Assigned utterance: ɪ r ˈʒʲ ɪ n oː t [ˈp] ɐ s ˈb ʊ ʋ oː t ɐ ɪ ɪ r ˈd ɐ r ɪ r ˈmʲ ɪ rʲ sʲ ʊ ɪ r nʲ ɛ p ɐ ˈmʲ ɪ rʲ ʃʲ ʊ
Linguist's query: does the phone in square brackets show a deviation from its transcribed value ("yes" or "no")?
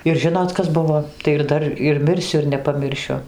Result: yes